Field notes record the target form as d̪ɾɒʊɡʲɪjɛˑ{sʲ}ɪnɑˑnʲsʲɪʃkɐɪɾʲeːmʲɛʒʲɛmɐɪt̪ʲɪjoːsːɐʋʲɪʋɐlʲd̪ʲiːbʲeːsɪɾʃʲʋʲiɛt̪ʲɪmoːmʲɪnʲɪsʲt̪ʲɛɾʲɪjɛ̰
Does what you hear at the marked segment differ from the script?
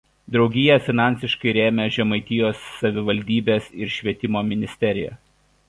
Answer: yes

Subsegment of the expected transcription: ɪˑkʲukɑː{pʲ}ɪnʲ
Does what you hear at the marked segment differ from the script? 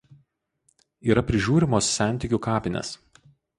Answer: no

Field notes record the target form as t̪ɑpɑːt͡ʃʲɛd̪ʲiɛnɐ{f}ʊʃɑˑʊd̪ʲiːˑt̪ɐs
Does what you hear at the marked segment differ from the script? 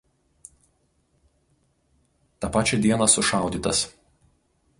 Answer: yes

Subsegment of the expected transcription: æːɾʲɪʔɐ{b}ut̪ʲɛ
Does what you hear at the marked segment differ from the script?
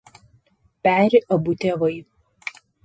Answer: no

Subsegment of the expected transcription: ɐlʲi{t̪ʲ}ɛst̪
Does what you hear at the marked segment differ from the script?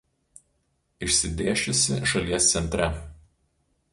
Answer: yes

